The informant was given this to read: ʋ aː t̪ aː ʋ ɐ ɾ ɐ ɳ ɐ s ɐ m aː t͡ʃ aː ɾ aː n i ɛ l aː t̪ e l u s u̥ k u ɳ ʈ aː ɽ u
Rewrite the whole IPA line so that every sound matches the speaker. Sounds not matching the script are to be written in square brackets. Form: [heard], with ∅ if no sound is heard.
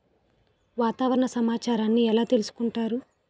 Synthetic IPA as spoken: ʋ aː t̪ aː ʋ ɐ ɾ ɐ ɳ ɐ s ɐ m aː t͡ʃ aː ɾ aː [nː] i ɛ l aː t̪ e l u s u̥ k u ɳ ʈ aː [ɾ] u